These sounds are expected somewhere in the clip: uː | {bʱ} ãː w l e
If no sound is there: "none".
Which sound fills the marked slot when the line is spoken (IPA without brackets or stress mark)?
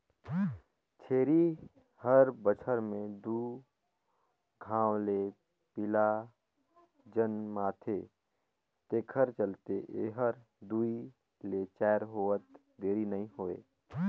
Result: ɡʱ